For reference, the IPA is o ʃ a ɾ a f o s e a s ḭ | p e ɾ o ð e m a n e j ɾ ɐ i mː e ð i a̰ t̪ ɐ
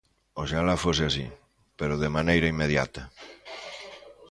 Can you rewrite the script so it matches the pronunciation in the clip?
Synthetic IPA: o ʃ a l a f o s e a s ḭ | p e ɾ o ð e m a n e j ɾ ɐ i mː e ð j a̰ t̪ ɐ